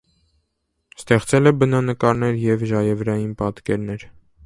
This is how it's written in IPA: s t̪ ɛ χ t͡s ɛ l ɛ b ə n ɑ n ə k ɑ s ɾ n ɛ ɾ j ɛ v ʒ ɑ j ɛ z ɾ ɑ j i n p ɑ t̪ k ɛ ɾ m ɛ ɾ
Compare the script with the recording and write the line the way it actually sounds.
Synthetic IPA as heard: s t̪ ɛ χ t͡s ɛ l ɛ b ə n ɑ n ə k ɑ ɾ n ɛ ɾ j ɛ v ʒ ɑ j ɛ v ɾ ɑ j i n p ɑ t̪ k ɛ ɾ n ɛ ɾ

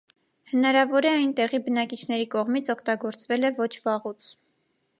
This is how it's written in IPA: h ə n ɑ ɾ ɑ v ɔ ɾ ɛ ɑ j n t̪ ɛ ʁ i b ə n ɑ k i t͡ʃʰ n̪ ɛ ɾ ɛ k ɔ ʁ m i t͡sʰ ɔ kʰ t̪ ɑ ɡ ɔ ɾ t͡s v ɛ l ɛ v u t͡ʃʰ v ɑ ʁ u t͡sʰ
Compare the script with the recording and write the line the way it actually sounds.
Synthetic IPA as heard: h ə n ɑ ɾ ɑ v ɔ ɾ ɛ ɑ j n t̪ ɛ ʁ i b ə n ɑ k i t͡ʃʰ n̪ ɛ ɾ i k ɔ ʁ m i t͡sʰ ɔ kʰ t̪ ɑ ɡ ɔ ɾ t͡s v ɛ l ɛ v ɔ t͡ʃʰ v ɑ ʁ u t͡sʰ

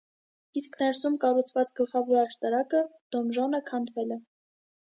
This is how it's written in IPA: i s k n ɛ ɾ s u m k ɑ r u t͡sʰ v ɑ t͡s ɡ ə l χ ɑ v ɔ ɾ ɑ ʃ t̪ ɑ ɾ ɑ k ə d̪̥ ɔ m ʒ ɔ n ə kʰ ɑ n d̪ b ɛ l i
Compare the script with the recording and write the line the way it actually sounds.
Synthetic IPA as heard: i s k n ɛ ɾ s u m k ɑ r u t͡sʰ v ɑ t͡s ɡ ə l χ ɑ v ɔ ɾ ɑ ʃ t̪ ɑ ɾ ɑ k ə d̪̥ ɔ m ʒ ɔ n ə kʰ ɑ n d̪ v ɛ l ɛ

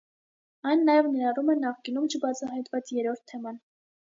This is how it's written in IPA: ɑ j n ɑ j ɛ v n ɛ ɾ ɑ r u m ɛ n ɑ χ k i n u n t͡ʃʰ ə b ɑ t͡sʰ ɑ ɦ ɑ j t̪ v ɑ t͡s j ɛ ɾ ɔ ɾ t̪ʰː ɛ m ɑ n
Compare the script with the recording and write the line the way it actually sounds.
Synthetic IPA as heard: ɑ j nː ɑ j ɛ v n ɛ ɾ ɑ r u m ɛ n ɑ χ k i n u m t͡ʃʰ ə b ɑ t͡sʰ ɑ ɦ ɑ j t̪ v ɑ t͡s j ɛ ɾ ɔ ɾ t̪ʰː ɛ m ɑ n

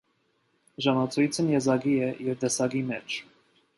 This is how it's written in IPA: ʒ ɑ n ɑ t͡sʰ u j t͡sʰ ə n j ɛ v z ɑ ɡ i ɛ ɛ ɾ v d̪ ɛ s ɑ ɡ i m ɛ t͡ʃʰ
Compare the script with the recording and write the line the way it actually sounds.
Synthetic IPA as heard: ʒ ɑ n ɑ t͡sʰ u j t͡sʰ ə n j ɛ z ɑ ɡ i ɛ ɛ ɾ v d̪ ɛ s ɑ ɡ i m ɛ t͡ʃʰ

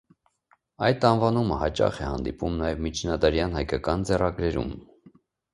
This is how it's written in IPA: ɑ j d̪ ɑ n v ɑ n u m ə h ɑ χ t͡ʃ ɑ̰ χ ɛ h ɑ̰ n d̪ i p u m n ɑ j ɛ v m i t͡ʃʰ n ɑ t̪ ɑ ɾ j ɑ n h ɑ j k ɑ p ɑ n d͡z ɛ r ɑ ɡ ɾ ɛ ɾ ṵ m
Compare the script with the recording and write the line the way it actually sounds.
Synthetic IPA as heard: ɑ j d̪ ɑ n v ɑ n u m ə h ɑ t͡ʃ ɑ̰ χ ɛ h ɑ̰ n d̪ i p u m n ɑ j ɛ v m i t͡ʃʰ n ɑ d̪ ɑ ɾ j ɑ n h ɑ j k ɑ k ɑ n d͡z ɛ r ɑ ɡ ɾ ɛ ɾ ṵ m

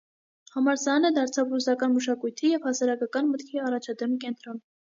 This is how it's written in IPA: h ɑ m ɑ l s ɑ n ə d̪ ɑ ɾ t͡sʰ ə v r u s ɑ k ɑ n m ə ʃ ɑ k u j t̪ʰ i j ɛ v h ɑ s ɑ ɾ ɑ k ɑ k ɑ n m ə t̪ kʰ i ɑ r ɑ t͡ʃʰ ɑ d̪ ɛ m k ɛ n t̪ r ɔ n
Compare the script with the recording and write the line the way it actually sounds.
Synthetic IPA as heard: h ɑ m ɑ ɾ s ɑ n ə d̪ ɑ ɾ t͡sʰ ɑ v r u s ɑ k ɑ n m ə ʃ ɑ k u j t̪ʰ i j ɛ v h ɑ s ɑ ɾ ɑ k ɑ k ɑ n m ə t̪ kʰ i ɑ r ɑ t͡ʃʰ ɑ d̪ ɛ m k ɛ n t̪ ɾ ɔ n

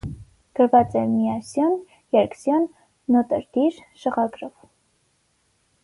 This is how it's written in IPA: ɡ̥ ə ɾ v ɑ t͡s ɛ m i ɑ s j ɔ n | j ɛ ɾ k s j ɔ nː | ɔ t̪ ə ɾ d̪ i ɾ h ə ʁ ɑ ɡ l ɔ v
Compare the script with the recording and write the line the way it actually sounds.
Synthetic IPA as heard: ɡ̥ ə ɾ v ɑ t͡s ɛ m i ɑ s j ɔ n | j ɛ ɾ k s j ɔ nː | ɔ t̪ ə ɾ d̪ i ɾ ʃ ə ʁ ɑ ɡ ɾ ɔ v

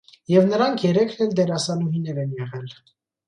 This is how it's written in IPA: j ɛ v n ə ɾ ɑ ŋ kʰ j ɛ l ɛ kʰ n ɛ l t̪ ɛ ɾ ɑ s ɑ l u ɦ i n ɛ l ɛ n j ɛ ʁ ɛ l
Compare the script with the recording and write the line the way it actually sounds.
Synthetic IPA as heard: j ɛ v n ə ɾ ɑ ŋ kʰ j ɛ ɾ ɛ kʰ n ɛ l d̪ ɛ ɾ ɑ s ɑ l u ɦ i n ɛ ɾ ɛ n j ɛ ʁ ɛ l

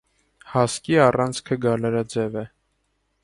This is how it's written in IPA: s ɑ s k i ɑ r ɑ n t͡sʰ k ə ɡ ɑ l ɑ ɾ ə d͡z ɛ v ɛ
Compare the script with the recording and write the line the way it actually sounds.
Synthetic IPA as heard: h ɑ s k i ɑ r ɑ n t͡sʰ kʰ ə ɡ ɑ l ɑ ɾ ɑ d͡z ɛ v ɛ

